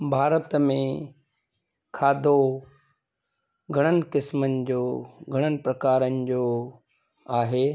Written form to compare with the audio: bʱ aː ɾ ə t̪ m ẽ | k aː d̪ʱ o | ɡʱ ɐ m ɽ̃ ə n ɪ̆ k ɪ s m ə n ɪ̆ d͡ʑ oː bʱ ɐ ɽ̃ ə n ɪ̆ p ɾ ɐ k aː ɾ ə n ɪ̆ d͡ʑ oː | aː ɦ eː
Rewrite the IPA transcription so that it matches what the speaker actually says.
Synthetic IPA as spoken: bʱ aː ɾ ə t̪ m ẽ | kʰ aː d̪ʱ o | ɡʱ ɐ ɽ̃ ə n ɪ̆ k ɪ s m ə n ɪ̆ d͡ʑ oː ɡʱ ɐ ɽ̃ ə n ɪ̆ p ɾ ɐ k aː ɾ ə n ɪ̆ d͡ʑ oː | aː ɦ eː